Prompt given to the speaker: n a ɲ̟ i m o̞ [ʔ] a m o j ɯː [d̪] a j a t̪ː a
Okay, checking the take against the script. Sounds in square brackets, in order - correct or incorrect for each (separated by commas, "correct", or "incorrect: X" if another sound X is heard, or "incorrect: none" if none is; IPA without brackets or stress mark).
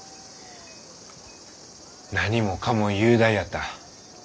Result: incorrect: k, correct